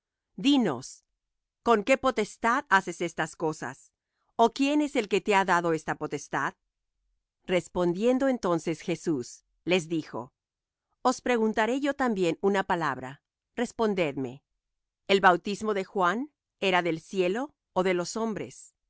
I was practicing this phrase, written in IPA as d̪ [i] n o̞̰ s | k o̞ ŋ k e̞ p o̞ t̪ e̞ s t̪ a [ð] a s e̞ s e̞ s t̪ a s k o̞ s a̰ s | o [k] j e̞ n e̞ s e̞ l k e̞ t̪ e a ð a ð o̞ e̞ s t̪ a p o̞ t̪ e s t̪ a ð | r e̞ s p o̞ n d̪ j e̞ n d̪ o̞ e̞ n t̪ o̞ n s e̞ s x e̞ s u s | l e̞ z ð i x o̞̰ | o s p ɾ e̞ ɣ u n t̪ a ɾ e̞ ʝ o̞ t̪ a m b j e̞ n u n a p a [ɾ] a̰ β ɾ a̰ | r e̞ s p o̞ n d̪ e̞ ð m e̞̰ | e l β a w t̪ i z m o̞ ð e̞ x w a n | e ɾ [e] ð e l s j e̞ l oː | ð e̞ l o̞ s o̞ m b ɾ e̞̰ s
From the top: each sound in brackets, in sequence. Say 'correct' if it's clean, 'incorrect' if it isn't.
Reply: correct, correct, correct, incorrect: l, incorrect: a

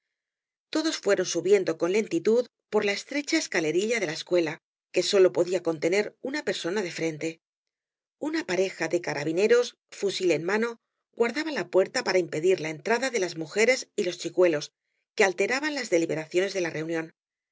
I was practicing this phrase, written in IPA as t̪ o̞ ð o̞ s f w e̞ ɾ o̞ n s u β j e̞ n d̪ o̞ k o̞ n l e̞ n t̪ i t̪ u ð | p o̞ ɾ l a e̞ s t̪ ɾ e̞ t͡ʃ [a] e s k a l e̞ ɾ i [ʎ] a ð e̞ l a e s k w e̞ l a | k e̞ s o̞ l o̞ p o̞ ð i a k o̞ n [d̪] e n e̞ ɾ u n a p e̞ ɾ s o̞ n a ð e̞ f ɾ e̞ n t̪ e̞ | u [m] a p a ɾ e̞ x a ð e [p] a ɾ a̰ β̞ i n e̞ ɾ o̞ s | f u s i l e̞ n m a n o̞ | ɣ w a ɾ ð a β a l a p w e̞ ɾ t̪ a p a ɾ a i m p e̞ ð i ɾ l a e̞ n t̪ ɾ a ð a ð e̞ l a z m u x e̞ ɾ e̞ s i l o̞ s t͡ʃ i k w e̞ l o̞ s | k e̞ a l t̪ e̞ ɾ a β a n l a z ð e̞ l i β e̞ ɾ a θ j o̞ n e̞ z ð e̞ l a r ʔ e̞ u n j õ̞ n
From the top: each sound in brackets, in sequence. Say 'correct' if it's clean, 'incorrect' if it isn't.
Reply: correct, correct, incorrect: t̪, incorrect: n, incorrect: k

